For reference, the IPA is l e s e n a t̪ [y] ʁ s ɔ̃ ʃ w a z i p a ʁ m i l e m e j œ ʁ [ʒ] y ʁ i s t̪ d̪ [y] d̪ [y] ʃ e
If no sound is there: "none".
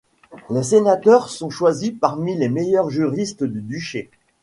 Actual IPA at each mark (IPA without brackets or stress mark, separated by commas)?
œ, ʒ, y, y